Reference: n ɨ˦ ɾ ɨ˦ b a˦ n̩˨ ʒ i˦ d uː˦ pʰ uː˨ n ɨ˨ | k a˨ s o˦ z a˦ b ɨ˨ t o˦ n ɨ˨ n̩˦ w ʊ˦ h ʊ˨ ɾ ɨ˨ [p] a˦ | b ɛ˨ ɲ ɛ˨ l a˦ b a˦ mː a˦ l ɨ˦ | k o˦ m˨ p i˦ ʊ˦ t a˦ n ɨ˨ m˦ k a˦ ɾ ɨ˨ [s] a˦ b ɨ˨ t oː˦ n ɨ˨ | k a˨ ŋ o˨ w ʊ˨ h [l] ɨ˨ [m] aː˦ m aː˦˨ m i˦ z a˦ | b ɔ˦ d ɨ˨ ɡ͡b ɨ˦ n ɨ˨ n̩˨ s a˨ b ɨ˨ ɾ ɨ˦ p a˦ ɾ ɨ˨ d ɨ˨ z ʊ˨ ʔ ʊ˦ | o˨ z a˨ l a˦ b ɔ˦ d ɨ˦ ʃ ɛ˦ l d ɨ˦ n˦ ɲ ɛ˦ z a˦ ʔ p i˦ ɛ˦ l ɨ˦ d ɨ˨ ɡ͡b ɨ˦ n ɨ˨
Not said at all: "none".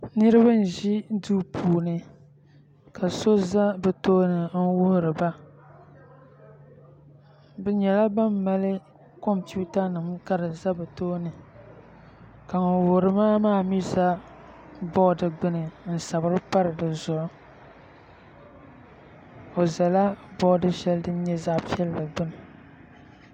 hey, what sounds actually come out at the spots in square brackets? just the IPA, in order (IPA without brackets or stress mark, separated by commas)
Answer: b, z, ɾ, m